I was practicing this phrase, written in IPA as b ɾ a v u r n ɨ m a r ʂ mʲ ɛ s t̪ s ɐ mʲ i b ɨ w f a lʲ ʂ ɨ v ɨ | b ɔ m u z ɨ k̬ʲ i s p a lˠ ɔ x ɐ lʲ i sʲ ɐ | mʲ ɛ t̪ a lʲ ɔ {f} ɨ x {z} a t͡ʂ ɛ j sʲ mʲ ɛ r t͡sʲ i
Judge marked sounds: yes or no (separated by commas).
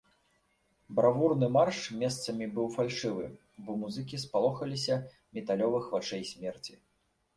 no, no